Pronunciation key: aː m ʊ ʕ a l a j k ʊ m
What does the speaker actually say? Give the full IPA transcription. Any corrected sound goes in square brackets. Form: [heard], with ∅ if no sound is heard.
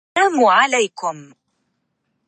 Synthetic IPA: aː m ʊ ʕ a l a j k ʊ m

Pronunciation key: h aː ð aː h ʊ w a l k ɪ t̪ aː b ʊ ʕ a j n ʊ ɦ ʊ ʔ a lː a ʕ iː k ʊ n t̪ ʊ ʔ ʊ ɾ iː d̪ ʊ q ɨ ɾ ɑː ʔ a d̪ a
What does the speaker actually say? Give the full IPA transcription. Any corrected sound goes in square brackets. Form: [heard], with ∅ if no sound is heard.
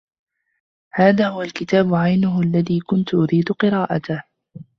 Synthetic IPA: h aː ð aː h ʊ w a l k ɪ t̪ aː b ʊ ʕ a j n ʊ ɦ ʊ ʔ a lː a [ð] iː k ʊ n t̪ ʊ ʔ ʊ ɾ iː d̪ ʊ q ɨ ɾ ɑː ʔ a [t̪] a

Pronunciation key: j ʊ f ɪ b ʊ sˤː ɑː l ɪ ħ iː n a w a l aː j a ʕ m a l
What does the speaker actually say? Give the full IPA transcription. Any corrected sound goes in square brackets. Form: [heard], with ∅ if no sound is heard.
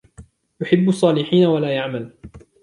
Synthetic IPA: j ʊ [ħ] ɪ [bː] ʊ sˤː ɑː l ɪ ħ iː n a w a l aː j a ʕ m a l

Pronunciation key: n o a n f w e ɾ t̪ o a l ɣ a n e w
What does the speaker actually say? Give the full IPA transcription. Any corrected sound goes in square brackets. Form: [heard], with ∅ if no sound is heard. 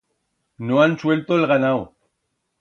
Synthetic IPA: n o a n [s] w e [l] t̪ o [e] l ɣ a n [a] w

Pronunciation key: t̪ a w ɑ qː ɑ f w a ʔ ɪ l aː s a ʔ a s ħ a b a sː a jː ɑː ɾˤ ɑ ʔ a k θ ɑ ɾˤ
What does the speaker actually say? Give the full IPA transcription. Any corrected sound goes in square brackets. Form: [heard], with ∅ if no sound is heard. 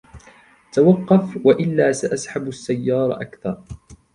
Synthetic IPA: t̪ a w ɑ qː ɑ f w a ʔ ɪ [lː] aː s a ʔ a s ħ a b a sː a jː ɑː ɾˤ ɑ ʔ a k θ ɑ ɾˤ

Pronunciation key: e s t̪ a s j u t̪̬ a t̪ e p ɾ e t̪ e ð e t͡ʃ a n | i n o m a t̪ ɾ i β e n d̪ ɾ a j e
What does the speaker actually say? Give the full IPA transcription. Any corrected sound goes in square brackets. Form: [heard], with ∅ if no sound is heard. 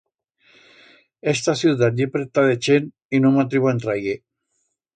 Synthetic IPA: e s t̪ a s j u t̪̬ a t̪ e p ɾ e t̪ [a] ð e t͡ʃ [e] n | i n o m a t̪ ɾ i β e n [t̪] ɾ a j e

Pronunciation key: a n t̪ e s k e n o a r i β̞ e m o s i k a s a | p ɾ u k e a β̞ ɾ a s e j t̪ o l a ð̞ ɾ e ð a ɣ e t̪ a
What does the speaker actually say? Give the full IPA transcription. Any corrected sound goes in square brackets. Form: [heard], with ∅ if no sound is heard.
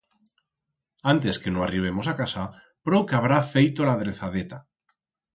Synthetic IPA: a n t̪ e s k e n o a r i β̞ e m o s [a] k a s a | p ɾ [o] k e a β̞ ɾ a [f] e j t̪ o l a ð̞ ɾ e [θ] a [ð] e t̪ a

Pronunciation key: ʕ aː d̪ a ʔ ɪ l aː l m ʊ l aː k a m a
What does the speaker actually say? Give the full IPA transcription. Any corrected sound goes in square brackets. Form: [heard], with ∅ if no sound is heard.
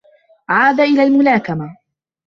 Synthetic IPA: ʕ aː d̪ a ʔ ɪ l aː l m ʊ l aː k a m a

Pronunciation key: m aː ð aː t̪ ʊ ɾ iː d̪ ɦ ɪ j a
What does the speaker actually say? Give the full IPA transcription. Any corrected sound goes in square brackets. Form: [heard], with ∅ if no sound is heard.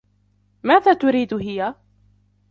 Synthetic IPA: m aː ð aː t̪ ʊ ɾ iː d̪ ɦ ɪ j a

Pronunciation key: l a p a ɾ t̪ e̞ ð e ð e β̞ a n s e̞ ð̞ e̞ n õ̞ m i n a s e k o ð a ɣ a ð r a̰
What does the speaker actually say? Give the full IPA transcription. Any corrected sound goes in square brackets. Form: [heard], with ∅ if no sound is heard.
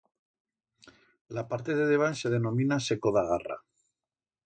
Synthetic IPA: l a p a ɾ t̪ e̞ ð e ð e β̞ a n s e̞ ð̞ e̞ n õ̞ m i n a s e k o ð a ɣ a [∅] r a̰

